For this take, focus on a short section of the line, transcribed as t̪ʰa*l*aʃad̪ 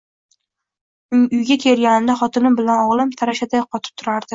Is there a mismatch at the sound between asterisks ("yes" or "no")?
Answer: yes